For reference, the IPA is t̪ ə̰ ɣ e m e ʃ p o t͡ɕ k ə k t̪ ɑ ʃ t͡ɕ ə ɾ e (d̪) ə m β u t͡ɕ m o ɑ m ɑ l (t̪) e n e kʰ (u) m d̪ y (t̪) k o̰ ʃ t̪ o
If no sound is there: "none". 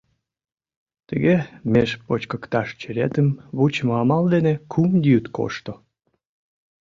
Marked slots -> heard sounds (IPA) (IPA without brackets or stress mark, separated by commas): t̪, d̪, u, t̪